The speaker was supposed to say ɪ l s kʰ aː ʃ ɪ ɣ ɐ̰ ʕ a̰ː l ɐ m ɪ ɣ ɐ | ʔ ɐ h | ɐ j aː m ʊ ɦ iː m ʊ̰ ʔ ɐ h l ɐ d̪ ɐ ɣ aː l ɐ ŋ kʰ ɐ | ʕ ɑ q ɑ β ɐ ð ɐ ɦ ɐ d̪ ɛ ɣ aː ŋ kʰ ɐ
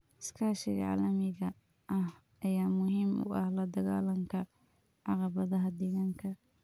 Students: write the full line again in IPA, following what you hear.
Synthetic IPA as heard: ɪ s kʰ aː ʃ ɪ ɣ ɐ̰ ʕ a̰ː l ɐ m ɪ ɣ ɐ | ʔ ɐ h | ɐ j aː m ʊ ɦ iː m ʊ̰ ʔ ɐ h l ɐ d̪ ɐ ɣ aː l ɐ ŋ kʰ ɐ | ʕ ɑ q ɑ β ɐ ð ɐ ɦ ɐ d̪ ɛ ɣ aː ŋ kʰ ɐ